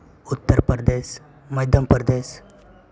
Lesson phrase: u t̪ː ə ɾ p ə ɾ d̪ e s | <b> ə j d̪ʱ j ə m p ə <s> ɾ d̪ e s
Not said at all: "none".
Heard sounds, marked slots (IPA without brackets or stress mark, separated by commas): m, none